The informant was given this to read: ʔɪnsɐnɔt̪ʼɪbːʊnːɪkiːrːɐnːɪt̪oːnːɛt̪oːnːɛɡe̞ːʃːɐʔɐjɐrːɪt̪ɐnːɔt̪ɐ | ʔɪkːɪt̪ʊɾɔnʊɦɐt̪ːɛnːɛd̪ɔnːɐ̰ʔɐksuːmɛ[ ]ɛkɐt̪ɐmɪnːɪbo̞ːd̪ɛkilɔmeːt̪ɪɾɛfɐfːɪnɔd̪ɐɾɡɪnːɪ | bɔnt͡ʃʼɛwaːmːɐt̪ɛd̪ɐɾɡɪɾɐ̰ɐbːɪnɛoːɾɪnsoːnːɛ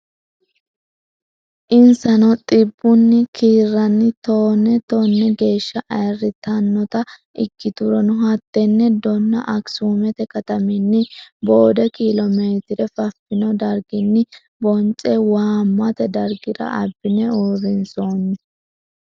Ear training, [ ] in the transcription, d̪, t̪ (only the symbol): t̪